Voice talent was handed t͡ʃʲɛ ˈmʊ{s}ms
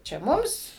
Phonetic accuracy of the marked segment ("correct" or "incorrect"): incorrect